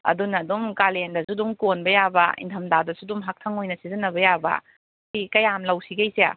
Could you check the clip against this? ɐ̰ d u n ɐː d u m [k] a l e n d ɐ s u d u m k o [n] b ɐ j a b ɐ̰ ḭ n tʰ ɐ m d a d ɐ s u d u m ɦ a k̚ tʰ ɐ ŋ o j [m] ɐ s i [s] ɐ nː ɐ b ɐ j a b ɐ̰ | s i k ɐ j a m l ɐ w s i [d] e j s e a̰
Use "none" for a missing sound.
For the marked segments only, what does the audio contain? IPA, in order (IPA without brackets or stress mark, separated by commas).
k, n, n, z, ɡ